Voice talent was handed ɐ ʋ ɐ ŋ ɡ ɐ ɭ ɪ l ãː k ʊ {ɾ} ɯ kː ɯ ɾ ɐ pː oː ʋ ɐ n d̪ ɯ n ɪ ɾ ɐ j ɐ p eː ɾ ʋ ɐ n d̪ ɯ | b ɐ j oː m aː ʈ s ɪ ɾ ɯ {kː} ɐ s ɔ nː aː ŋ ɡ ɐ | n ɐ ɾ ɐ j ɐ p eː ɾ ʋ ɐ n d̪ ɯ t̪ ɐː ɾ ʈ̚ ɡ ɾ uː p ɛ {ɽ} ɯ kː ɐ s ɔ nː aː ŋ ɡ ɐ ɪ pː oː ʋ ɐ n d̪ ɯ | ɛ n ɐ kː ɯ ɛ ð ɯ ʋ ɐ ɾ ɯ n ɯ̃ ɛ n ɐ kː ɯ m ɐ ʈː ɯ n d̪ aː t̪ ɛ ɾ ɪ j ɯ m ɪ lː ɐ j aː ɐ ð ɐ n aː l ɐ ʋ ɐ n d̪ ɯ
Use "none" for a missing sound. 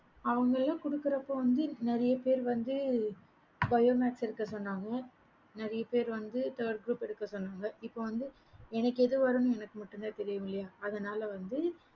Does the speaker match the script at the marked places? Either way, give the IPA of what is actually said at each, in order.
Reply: ɽ, kː, ɽ

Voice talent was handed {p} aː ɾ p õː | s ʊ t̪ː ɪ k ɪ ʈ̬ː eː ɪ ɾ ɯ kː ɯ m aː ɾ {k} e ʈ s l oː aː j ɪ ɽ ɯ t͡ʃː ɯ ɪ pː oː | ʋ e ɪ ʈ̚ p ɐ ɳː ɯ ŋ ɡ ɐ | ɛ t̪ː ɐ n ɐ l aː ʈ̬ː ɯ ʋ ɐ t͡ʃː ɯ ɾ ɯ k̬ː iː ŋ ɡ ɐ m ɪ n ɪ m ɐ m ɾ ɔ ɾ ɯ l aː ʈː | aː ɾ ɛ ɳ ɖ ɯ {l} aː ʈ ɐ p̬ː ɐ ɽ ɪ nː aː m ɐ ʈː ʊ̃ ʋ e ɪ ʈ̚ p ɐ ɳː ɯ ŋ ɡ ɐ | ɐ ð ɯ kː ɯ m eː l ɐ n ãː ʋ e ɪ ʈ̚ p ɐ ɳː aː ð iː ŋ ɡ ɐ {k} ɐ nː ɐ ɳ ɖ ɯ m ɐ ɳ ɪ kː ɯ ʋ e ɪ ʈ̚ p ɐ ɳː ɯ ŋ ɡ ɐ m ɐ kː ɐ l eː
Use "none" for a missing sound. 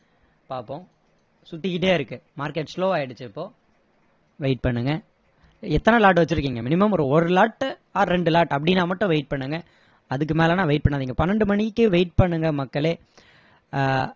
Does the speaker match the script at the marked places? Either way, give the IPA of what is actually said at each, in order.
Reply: p, k, l, p

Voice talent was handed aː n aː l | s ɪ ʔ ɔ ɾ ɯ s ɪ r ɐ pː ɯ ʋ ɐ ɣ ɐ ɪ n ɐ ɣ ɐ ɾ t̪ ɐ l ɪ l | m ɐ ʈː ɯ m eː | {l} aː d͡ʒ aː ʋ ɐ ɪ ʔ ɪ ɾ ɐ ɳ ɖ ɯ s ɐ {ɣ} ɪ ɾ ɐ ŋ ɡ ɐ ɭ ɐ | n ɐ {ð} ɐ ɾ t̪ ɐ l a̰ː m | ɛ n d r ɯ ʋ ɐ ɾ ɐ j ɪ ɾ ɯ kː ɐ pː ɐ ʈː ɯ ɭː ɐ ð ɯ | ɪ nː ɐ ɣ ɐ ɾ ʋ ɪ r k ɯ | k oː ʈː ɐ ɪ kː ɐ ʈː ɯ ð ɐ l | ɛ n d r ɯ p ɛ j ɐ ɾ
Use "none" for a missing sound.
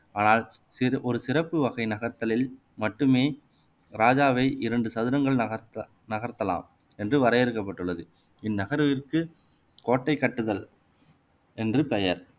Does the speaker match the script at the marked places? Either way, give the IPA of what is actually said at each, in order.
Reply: ɾ, ð, ɣ

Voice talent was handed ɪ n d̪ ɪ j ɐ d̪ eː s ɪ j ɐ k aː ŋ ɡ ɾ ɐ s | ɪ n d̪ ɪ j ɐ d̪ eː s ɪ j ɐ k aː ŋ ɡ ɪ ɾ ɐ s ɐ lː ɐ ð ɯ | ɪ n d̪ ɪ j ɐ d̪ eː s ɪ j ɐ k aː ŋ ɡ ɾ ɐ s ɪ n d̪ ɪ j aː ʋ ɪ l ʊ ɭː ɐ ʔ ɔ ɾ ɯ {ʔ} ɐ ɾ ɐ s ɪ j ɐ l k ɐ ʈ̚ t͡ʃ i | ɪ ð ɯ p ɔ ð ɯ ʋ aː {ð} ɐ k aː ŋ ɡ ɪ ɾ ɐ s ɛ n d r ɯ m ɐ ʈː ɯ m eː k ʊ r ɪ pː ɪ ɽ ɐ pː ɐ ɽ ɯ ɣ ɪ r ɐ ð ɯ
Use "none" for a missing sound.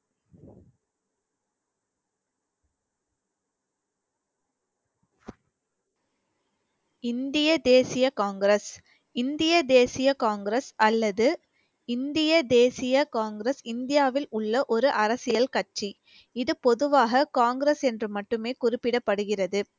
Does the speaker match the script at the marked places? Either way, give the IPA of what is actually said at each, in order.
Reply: ʔ, ɣ

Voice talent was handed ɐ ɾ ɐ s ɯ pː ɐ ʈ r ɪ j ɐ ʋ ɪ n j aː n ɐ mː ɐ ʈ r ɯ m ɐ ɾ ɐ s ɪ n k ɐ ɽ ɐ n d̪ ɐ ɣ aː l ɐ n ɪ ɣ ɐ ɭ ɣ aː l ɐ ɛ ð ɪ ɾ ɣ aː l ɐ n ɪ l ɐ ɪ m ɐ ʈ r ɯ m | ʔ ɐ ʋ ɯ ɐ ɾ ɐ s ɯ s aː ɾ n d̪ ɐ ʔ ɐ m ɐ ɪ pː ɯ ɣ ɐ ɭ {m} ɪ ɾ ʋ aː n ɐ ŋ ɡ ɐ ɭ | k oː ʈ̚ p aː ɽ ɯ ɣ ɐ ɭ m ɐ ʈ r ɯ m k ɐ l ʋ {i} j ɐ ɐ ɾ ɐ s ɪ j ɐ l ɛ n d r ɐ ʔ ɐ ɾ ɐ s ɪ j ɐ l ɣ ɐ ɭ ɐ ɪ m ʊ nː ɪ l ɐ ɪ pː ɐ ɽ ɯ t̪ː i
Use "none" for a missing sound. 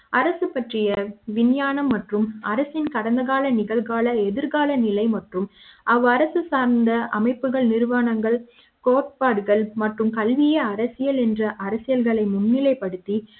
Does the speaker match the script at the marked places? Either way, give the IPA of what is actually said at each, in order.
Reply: n, ɪ

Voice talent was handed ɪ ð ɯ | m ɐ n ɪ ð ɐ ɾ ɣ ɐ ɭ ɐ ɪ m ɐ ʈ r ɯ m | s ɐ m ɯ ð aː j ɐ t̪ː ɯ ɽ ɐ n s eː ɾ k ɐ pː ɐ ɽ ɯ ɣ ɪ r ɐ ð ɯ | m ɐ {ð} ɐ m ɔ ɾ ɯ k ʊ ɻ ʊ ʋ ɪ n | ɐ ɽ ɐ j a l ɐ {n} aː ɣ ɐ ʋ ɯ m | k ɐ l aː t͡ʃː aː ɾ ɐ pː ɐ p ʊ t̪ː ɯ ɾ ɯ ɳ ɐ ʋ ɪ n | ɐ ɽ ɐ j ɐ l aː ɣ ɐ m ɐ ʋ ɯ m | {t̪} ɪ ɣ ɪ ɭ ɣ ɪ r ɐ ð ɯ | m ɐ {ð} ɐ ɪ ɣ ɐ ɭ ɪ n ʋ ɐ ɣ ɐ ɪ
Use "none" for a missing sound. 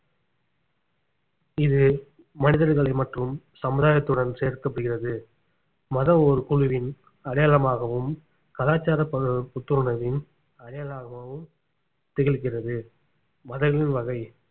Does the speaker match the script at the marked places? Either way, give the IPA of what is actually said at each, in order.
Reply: ð, m, t̪, ð

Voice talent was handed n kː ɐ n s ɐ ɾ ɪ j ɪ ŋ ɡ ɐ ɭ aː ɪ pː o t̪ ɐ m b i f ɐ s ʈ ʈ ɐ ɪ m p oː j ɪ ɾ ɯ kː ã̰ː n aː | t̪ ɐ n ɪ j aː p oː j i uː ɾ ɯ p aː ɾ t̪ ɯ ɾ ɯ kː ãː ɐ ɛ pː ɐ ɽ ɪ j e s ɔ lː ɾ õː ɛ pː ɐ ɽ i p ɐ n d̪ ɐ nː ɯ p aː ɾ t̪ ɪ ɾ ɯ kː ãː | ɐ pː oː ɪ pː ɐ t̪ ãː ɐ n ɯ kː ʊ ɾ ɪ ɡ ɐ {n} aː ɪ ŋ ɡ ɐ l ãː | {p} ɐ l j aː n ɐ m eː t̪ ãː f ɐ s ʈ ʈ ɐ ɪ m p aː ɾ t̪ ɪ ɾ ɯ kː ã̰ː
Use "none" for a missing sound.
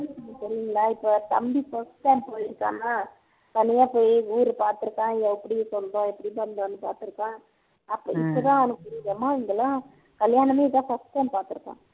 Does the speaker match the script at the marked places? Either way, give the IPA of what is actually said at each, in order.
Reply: m, k

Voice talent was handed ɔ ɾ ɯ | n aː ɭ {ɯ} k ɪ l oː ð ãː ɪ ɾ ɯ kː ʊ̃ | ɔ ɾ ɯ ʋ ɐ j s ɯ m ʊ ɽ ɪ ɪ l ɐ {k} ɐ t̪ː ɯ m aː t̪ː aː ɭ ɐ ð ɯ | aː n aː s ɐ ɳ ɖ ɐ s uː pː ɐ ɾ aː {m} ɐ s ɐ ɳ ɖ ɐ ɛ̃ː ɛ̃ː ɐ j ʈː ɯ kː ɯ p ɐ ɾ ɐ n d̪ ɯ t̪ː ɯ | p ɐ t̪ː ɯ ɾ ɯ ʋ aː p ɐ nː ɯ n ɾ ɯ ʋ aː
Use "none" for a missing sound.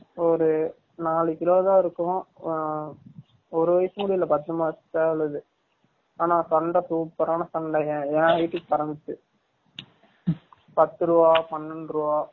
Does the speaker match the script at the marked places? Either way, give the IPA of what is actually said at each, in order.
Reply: ɯ, p, n

